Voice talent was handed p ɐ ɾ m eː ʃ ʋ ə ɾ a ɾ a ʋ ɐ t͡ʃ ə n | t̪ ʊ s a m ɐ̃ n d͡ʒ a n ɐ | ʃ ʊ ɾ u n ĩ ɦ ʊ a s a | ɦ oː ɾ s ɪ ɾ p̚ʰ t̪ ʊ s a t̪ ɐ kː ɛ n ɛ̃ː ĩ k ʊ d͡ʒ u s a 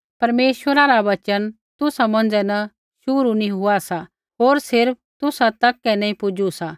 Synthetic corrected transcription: p ɐ ɾ m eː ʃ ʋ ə ɾ a ɾ a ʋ ɐ t͡ʃ ə n | t̪ ʊ s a m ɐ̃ n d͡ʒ ɛ n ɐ | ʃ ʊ ɾ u n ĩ ɦ ʊ a s a | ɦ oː ɾ s ɪ ɾ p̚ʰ t̪ ʊ s a t̪ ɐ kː ɛ n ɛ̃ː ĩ p ʊ d͡ʒ u s a

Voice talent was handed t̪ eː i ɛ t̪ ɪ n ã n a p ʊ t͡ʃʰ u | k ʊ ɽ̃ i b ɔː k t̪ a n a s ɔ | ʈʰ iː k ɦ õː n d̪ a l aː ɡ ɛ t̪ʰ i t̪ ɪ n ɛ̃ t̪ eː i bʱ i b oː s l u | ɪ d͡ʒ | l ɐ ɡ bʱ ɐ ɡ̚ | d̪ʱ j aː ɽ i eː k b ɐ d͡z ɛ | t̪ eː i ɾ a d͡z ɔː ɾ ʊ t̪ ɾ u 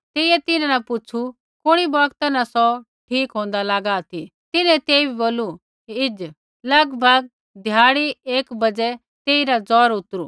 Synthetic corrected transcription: t̪ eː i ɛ t̪ ɪ n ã n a p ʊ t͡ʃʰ u | k ʊ ɽ̃ i b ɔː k t̪ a n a s ɔ | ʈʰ iː k ɦ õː n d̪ a l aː ɡ a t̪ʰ i t̪ ɪ n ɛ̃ t̪ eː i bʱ i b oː l u | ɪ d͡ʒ | l ɐ ɡ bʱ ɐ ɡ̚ | d̪ʱ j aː ɽ i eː k b ɐ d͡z ɛ | t̪ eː i ɾ a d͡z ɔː ɾ ʊ t̪ ɾ u

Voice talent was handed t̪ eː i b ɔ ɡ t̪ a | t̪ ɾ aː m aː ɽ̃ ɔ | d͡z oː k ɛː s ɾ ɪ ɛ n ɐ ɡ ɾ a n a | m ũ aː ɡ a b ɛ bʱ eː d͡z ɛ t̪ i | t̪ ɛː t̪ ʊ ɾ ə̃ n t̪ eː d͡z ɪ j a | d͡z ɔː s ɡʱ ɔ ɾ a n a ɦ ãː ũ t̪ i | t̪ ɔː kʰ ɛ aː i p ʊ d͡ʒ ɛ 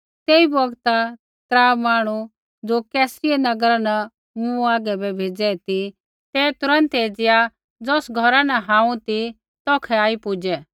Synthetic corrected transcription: t̪ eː i b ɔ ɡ t̪ a | t̪ ɾ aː m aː ɽ̃ u | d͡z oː k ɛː s ɾ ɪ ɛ n ɐ ɡ ɾ a n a | m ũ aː ɡ ɛ b ɛ bʱ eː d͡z ɛ t̪ i | t̪ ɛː t̪ ʊ ɾ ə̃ n t̪ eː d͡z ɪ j a | d͡z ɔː s ɡʱ ɔ ɾ a n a ɦ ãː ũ t̪ i | t̪ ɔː kʰ ɛ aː i p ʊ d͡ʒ ɛ

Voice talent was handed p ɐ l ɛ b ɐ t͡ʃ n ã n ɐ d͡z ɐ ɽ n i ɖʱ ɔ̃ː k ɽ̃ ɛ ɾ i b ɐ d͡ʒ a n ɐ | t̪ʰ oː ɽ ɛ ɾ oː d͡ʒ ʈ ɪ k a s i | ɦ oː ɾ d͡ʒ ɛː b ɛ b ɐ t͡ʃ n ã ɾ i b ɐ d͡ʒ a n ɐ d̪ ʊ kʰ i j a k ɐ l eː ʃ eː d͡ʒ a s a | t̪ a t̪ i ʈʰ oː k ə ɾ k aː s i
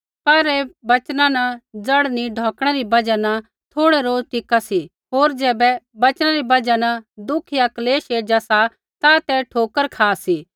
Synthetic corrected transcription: p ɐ ɾ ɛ b ɐ t͡ʃ n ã n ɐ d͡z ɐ ɽ n i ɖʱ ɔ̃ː k ɽ̃ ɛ ɾ i b ɐ d͡ʒ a n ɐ | t̪ʰ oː ɽ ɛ ɾ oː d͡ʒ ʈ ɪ k a s i | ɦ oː ɾ d͡ʒ ɛː b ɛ b ɐ t͡ʃ n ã ɾ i b ɐ d͡ʒ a n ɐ d̪ ʊ kʰ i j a k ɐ l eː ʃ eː d͡ʒ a s a | t̪ a t̪ ɛ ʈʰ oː k ə ɾ kʰ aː s i

